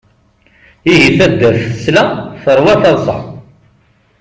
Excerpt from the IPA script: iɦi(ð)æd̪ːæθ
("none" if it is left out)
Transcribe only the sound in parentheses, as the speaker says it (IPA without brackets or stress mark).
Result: θ